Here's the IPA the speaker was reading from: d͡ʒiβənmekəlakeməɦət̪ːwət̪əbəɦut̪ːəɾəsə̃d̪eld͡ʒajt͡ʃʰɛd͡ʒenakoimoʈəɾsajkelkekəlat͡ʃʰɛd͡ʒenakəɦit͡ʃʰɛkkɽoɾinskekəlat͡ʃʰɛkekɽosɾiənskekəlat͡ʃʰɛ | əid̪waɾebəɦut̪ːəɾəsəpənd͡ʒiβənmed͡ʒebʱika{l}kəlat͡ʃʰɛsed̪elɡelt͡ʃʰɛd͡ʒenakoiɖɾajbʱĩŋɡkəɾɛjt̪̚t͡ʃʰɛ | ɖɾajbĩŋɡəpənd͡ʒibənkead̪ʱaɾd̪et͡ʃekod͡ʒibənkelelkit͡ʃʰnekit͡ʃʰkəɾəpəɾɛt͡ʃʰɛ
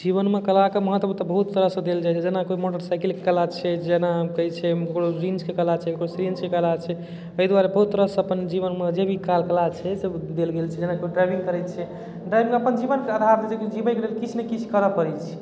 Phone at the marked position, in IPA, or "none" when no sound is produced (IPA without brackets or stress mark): l